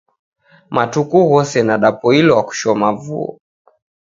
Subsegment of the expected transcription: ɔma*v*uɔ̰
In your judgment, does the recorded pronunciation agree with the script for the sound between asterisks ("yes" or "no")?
yes